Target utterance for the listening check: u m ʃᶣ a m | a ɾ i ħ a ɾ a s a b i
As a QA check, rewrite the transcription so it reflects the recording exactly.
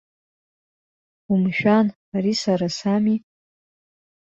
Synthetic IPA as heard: u m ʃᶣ a n | a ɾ i s a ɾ a s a m i